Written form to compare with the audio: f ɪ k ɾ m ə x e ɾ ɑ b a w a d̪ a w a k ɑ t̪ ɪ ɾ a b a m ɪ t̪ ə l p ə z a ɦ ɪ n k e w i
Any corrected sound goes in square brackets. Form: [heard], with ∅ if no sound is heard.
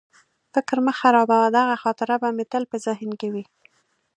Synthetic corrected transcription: f ɪ k ɾ m ə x [a] ɾ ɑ b a w a d̪ a [ɣ] a [x] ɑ t̪ ɪ ɾ a b a m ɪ t̪ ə l p ə z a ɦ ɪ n k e w i